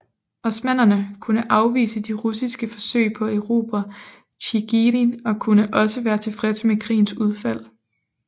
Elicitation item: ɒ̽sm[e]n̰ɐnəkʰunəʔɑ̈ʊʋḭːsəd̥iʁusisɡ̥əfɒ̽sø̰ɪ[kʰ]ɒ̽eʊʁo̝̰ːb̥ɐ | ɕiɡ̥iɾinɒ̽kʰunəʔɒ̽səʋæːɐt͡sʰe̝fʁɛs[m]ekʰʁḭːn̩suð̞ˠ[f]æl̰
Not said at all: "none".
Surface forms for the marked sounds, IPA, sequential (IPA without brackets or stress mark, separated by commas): æ, pʰ, m, f